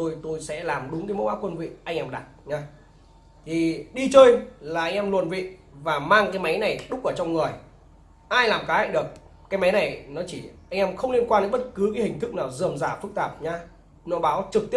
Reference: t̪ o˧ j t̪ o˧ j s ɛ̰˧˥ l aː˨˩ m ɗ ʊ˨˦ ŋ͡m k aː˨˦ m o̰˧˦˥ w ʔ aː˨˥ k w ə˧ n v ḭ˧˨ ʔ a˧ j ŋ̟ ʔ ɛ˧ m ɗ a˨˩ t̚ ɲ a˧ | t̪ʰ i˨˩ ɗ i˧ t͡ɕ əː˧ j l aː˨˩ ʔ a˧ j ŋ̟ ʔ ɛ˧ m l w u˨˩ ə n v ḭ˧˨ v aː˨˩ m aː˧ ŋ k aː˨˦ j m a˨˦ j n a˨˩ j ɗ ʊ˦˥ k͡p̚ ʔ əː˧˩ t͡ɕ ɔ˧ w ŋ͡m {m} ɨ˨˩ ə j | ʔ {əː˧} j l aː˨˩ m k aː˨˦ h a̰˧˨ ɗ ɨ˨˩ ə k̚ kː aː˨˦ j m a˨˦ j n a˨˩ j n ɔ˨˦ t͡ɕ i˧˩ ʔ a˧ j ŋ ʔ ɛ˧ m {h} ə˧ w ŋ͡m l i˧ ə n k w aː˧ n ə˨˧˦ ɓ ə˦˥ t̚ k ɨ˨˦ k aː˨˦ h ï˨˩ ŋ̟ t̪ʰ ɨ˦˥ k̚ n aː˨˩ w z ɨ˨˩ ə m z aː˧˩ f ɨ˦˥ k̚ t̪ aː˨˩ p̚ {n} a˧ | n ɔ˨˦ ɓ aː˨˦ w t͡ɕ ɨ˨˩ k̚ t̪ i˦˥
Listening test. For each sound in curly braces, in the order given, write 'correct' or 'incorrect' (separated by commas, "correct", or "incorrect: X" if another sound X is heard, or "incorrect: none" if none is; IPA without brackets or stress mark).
incorrect: ŋ, incorrect: aː˧, incorrect: x, incorrect: ɲ